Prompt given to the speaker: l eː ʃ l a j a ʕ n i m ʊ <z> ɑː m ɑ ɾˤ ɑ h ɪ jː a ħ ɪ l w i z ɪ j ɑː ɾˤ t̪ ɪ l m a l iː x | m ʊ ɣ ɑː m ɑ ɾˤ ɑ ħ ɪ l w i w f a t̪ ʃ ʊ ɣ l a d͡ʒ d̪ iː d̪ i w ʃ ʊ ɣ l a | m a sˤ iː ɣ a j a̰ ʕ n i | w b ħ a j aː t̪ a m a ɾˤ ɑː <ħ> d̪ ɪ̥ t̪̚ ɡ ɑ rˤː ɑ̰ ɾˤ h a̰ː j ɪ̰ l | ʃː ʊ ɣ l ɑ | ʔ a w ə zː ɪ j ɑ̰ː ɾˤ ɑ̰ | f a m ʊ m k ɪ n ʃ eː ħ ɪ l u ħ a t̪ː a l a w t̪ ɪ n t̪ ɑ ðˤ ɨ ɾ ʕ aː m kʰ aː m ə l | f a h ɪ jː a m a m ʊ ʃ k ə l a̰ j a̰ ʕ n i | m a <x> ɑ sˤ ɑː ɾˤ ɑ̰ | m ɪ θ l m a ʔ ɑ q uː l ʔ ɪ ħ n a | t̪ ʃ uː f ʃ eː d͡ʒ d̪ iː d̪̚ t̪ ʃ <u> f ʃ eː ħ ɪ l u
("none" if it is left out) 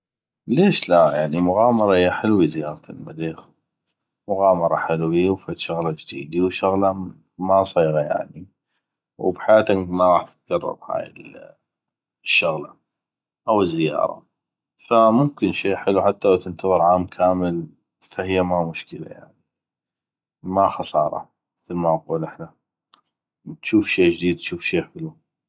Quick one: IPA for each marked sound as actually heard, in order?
ɣ, ħ, x, uː

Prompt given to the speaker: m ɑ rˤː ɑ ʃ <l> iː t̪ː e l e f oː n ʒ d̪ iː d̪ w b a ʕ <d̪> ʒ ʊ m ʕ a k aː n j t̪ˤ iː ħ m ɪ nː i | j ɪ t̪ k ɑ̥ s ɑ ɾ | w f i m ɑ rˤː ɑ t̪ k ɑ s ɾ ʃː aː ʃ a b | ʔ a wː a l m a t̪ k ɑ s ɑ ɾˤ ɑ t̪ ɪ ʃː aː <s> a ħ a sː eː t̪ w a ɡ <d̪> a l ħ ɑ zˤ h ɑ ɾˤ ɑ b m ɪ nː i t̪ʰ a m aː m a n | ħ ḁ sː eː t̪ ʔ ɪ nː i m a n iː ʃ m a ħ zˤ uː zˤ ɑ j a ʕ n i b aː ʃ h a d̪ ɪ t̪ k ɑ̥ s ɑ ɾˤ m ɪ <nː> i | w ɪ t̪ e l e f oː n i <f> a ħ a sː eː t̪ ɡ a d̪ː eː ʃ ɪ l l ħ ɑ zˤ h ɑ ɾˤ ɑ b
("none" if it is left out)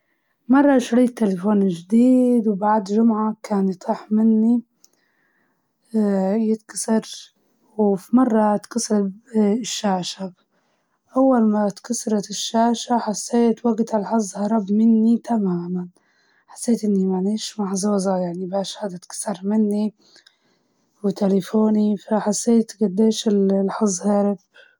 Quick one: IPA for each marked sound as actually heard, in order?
ɾ, d̪, ʃ, t̪, nː, f

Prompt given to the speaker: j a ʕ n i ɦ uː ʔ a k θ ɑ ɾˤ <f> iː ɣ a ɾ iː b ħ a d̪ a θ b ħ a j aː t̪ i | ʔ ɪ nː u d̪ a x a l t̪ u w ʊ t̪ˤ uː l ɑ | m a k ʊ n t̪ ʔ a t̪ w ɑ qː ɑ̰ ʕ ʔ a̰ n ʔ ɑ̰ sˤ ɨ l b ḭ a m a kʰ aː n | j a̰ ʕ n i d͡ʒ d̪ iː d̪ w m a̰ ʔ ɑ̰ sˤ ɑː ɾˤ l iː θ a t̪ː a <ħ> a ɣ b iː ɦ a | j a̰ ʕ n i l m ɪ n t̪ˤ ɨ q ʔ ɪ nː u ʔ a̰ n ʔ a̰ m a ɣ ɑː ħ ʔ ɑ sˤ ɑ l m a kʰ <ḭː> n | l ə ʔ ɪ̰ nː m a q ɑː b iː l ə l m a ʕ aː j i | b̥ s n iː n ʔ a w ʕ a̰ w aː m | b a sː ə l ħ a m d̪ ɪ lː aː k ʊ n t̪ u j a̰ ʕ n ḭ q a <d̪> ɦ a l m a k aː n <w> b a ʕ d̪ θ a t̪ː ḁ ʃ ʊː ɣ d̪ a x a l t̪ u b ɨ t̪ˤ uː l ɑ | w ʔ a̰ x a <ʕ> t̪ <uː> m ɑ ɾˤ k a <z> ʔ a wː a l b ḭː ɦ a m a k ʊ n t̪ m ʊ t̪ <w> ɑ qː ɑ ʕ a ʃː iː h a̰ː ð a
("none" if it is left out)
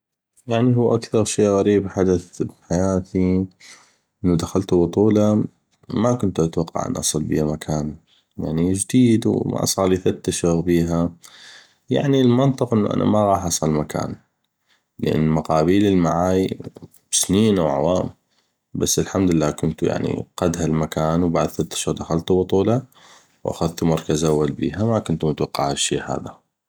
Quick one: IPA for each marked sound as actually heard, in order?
ʃ, ʃ, a̰ː, d̪, w, ð, u, z, w

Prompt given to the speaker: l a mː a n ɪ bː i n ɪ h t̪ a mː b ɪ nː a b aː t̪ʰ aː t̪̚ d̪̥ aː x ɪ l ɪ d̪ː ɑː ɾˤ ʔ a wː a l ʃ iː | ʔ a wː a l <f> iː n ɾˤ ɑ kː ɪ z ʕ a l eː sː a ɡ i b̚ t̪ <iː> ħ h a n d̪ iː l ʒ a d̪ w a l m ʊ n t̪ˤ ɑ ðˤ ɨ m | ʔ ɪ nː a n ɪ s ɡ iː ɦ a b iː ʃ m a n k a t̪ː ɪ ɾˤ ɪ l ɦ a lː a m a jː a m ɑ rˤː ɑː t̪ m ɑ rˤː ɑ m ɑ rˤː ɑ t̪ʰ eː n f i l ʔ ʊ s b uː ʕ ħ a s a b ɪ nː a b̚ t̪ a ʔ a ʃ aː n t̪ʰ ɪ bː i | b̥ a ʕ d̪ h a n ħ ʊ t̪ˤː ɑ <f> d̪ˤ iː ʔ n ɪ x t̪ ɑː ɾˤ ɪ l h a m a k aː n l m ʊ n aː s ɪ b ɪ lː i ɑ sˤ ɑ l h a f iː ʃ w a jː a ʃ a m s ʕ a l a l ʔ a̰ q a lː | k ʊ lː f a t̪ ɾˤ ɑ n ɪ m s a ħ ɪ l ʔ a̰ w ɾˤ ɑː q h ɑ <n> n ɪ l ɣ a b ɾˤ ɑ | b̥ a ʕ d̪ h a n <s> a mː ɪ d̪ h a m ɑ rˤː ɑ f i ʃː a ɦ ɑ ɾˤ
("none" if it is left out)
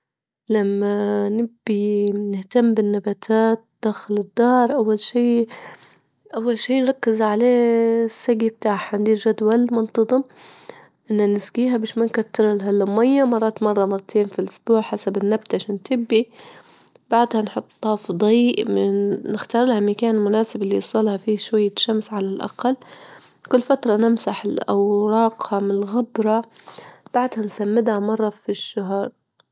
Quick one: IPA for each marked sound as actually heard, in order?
ʃ, aː, f, m, s

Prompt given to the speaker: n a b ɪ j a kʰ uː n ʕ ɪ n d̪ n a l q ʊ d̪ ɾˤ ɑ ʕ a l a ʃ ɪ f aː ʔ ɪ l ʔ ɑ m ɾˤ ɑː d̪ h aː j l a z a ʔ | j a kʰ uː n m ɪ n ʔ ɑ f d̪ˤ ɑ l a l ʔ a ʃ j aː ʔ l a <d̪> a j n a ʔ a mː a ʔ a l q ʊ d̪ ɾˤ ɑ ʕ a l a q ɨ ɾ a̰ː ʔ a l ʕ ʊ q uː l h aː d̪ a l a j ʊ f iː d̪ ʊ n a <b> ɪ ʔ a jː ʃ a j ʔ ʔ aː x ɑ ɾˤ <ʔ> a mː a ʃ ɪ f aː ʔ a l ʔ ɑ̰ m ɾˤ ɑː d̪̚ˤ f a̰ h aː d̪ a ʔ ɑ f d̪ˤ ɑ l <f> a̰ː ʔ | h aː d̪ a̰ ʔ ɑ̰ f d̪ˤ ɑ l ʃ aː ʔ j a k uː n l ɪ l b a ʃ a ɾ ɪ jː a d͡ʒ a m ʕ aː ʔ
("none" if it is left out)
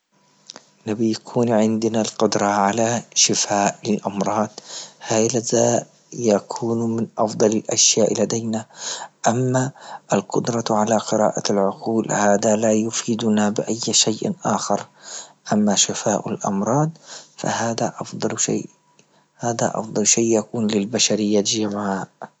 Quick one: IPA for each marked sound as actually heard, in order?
d̪, b, ʔ, ʃ

